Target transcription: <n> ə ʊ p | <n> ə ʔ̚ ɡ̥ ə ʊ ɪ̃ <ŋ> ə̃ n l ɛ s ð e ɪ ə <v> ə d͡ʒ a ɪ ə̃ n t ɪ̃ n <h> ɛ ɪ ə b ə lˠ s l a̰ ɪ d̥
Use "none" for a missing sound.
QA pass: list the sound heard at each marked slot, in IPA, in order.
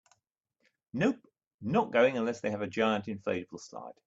n, n, ŋ, v, f

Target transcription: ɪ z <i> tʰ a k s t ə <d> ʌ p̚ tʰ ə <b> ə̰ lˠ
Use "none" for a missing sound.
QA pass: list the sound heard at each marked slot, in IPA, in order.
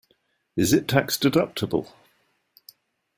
ɪ, d, b

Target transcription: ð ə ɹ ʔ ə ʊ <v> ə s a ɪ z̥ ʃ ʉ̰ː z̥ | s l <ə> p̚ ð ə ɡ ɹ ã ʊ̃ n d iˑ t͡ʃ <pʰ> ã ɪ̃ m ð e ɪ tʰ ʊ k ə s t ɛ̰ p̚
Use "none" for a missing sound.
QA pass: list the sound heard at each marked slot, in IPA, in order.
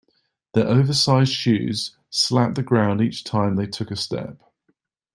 v, a, tʰ

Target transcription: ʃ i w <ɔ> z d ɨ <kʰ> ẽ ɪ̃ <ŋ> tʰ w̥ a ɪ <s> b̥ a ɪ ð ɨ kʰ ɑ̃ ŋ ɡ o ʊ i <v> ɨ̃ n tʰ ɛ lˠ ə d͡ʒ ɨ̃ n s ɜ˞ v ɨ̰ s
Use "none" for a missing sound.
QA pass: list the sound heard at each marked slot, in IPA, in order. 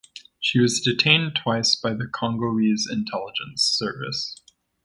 ʌ, tʰ, n, s, z

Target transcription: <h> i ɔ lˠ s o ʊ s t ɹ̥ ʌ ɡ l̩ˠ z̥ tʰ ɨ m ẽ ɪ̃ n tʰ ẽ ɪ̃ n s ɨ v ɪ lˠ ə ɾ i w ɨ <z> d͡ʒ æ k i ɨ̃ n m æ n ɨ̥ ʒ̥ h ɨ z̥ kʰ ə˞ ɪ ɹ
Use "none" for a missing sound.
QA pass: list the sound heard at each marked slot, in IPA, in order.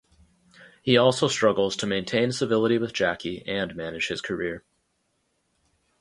h, ð

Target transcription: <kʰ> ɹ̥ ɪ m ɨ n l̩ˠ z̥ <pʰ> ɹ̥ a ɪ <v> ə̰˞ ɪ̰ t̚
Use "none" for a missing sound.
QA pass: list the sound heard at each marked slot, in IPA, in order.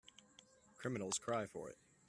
kʰ, kʰ, f

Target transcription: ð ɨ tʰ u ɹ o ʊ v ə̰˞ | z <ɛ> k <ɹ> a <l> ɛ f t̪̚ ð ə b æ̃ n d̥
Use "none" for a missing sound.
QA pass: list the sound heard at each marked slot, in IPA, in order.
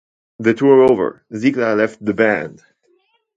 i, l, l

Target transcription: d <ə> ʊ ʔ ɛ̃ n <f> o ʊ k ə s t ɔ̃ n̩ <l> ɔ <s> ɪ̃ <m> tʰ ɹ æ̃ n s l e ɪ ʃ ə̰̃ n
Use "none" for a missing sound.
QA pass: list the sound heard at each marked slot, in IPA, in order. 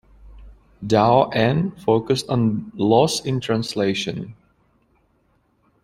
a, f, l, s, n

